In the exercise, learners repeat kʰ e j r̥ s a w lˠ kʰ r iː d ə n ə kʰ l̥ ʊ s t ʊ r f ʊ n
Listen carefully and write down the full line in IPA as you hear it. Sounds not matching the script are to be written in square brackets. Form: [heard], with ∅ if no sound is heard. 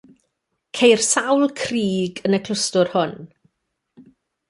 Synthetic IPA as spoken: kʰ e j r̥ s a w lˠ kʰ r iː [ɡ] ə n ə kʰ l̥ ʊ s t ʊ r [h] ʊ n